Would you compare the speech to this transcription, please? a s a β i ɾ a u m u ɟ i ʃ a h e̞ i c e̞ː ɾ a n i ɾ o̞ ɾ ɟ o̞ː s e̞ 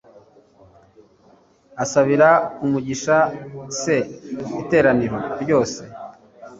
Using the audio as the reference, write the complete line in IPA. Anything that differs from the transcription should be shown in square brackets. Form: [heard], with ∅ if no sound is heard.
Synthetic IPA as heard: a s a β i ɾ a u m u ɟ i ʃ a [s] e̞ i [t] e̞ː ɾ a n i ɾ o̞ ɾ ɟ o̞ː s e̞